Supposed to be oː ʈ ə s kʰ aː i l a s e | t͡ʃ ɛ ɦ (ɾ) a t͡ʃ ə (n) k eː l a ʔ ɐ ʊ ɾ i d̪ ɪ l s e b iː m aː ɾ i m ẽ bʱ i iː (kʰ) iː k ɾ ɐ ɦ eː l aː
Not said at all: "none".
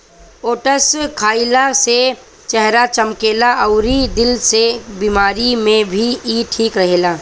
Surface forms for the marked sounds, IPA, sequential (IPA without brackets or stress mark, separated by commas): ɾ, m, ʈʰ